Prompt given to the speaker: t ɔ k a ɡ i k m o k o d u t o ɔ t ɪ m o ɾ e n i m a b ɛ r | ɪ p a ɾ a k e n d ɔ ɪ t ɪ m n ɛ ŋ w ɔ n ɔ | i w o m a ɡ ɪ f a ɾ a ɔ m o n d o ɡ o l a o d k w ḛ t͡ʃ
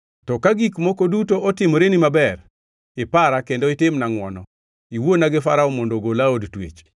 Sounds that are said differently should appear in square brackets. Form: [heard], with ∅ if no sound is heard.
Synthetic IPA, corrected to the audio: t ɔ k a ɡ i k m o k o d u t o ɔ t ɪ m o ɾ e n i m a b ɛ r | ɪ p a ɾ a k e n d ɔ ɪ t ɪ m n [a] ŋ w ɔ n ɔ | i w o [n] a ɡ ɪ f a ɾ a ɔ m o n d o ɡ o l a o d [t] w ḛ t͡ʃ